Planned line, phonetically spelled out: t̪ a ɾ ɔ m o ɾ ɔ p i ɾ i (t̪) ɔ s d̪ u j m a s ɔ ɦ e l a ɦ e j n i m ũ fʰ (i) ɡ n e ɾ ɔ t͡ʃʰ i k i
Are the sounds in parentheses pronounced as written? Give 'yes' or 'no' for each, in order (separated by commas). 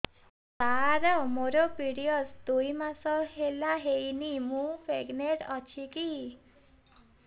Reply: no, no